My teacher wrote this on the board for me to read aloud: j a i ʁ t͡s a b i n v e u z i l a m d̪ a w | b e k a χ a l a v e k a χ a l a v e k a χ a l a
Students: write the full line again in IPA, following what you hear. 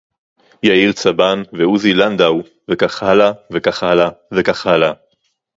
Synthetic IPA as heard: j a i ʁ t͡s a b a n v e u z i l a n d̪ a w | v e k a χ a l a v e k a χ a l a v e k a χ a l a